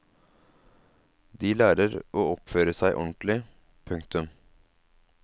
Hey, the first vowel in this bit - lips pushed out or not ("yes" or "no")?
no